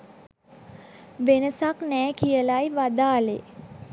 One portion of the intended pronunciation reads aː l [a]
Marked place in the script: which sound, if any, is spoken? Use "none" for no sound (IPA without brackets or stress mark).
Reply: e